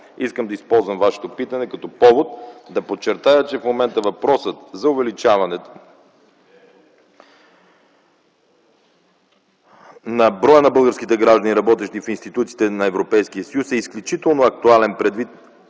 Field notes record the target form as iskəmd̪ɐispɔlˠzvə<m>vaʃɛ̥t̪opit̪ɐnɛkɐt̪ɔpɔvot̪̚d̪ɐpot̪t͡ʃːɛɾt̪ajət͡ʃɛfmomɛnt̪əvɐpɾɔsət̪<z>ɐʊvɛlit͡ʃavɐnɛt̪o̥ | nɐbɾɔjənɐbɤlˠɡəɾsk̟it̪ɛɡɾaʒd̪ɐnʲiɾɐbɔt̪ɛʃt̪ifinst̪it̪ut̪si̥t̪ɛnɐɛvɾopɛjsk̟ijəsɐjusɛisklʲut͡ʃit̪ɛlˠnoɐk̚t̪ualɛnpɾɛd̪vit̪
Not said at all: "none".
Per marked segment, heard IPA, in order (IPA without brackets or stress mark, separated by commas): m, z